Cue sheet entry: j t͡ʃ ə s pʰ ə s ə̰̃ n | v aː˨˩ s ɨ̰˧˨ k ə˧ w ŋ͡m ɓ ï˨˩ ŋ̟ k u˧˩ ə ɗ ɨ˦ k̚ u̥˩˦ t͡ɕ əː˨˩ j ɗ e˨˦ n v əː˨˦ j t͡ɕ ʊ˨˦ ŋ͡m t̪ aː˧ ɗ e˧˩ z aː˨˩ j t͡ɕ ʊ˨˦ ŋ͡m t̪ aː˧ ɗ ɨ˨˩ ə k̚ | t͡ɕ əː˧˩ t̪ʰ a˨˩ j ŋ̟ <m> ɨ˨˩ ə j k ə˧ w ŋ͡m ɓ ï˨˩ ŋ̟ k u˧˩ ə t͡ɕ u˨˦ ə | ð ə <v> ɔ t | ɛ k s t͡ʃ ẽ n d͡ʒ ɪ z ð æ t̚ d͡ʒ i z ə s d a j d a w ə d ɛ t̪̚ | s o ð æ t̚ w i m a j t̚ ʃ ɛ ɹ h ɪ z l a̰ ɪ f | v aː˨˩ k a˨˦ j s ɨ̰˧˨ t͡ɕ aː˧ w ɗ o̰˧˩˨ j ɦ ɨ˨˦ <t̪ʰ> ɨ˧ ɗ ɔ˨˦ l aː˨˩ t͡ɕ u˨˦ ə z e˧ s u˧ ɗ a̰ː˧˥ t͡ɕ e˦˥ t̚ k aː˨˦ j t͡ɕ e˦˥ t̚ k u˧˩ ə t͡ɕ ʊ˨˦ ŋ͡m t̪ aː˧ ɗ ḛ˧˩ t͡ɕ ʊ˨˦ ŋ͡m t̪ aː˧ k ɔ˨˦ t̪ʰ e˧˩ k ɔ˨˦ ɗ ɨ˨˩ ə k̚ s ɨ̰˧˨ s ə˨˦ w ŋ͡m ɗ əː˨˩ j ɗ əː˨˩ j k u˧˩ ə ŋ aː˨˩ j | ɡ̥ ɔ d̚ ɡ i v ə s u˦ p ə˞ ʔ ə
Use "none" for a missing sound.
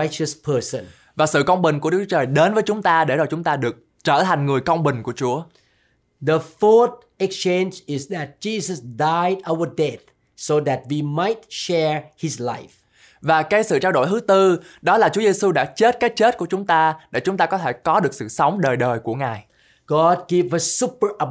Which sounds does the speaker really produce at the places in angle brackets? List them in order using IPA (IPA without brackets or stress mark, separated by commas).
ŋ, f, t̪